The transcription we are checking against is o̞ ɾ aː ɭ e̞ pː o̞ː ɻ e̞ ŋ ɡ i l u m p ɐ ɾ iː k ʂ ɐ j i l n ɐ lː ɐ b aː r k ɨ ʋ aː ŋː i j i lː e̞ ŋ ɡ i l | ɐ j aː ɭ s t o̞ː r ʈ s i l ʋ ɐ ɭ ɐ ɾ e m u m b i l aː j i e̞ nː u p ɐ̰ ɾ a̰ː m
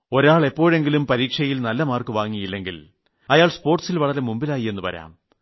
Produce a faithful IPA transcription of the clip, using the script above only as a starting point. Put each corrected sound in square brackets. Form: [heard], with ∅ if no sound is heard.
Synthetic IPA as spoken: o̞ ɾ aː ɭ e̞ pː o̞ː ɻ e̞ ŋ ɡ i l u m p ɐ ɾ iː k ʂ ɐ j i l n ɐ lː ɐ [m] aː r k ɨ ʋ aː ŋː i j i lː e̞ ŋ ɡ i l | ɐ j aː ɭ s [p] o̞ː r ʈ s i l ʋ ɐ ɭ ɐ ɾ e m u m b i l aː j i e̞ nː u p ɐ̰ ɾ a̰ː m